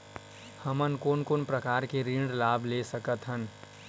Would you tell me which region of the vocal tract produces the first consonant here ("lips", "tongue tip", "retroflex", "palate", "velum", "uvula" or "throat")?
throat